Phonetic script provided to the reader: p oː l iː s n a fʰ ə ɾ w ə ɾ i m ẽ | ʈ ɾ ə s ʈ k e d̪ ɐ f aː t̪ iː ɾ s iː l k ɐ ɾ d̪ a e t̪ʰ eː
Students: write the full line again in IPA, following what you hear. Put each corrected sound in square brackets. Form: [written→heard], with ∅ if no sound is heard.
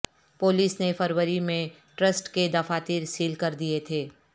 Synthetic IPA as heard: p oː l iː s n [a→e] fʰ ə ɾ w ə ɾ i m ẽ | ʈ ɾ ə s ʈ k e d̪ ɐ f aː t̪ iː ɾ s iː l k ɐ ɾ d̪ [a→i] e t̪ʰ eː